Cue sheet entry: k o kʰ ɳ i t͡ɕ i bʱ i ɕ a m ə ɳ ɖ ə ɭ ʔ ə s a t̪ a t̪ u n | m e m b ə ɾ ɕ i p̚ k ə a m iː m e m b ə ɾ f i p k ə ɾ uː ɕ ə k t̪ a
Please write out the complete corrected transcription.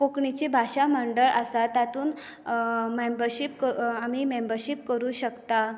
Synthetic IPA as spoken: k o k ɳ i t͡ɕ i bʱ a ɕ a m ə ɳ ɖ ə ɭ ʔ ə s a t̪ a t̪ uː n | m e m b ə ɾ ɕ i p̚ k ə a m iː m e m b ə ɾ ɕ i p k ə ɾ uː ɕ ə k t̪ a